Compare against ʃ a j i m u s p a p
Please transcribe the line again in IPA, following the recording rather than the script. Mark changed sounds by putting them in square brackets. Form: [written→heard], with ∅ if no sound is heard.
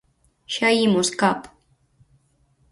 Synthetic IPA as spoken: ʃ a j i m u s [p→k] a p

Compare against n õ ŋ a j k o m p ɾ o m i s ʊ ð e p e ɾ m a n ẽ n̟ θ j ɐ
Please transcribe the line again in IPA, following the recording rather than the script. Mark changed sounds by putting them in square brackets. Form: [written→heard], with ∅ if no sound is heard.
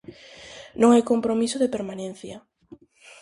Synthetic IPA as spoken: n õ ŋ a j k o m p ɾ o m i s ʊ ð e p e ɾ m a n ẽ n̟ θ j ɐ

